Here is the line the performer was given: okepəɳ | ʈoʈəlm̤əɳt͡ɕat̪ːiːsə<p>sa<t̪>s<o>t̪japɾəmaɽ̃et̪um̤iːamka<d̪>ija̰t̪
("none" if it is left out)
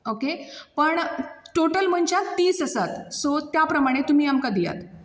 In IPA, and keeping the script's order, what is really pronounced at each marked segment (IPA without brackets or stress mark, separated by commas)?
none, t̪, o, d̪